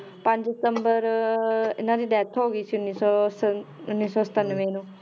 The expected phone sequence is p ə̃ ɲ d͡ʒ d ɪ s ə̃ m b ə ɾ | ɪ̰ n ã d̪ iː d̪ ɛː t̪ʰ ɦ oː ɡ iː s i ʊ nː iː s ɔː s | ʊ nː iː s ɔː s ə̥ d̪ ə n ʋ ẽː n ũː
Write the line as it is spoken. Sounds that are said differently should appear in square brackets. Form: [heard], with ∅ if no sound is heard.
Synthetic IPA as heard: p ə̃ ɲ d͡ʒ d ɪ s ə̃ m b ə ɾ | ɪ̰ n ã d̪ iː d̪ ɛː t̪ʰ ɦ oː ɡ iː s i ʊ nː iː s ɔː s | ʊ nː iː s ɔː s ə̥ [t̪] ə n ʋ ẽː n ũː